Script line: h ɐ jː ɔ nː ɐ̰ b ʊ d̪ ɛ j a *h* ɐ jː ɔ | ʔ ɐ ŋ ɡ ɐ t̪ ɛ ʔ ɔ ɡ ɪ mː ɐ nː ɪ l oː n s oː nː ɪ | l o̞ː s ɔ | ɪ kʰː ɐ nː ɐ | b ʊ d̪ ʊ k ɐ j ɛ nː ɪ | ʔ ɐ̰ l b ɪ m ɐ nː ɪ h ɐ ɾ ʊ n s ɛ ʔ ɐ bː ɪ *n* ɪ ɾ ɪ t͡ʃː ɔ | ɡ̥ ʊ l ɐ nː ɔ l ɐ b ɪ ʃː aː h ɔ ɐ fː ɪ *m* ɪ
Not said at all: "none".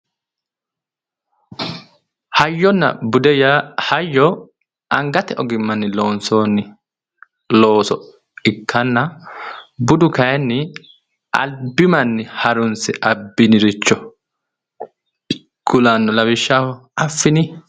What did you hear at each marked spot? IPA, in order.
h, n, n

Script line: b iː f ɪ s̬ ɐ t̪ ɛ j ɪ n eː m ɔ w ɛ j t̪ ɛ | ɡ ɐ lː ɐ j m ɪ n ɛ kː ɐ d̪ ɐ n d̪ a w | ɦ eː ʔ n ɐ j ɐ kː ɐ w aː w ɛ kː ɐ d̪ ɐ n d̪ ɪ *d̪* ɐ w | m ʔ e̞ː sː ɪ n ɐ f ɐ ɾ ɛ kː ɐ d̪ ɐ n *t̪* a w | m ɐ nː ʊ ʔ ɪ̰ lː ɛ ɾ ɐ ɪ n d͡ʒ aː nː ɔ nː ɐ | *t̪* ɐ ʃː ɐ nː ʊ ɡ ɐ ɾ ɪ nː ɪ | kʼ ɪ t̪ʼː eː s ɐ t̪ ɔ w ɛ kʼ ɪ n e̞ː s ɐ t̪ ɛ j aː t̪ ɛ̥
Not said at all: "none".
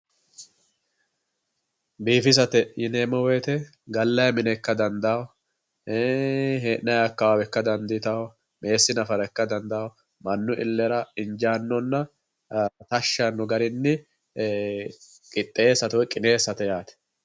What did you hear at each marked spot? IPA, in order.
t̪, d̪, t̪

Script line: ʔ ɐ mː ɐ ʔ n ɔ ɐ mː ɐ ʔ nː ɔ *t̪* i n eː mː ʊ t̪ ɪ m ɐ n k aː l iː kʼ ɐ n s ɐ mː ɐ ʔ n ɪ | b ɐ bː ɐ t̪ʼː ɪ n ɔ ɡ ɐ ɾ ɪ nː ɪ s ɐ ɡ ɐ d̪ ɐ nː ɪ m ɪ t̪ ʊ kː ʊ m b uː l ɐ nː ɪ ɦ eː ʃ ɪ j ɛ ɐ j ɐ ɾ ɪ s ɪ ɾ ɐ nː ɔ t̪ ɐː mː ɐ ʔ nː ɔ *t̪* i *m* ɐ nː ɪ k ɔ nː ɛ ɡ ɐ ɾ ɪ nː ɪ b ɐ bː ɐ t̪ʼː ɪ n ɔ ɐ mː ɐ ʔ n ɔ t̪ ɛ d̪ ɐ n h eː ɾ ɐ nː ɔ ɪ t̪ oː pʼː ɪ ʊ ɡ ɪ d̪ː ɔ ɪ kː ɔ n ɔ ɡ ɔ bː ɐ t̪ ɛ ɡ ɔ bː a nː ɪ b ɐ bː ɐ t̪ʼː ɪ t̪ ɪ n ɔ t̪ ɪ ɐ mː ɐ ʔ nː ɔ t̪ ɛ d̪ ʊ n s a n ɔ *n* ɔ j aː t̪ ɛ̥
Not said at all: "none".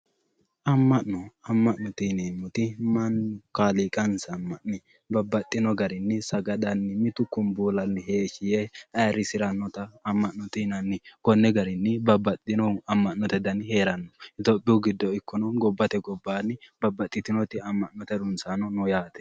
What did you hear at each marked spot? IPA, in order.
t̪, t̪, n, n

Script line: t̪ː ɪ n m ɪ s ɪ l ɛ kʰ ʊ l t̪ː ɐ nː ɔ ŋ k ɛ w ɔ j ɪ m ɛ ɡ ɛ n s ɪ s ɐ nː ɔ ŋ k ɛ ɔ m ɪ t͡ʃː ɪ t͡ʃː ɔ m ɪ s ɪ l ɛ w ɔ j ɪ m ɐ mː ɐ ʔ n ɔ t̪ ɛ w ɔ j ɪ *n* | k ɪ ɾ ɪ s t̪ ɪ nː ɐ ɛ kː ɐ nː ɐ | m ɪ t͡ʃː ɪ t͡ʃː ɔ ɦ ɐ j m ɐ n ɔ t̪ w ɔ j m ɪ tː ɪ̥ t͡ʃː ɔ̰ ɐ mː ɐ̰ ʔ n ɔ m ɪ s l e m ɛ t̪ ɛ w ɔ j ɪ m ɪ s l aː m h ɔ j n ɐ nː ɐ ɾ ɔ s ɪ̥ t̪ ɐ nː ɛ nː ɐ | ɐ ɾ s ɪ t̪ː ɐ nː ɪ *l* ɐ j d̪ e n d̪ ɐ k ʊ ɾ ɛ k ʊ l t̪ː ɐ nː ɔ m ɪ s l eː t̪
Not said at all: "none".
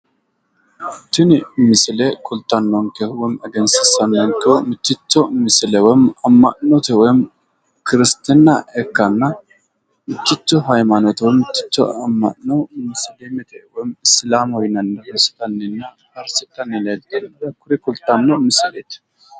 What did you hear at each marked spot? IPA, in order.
m, l

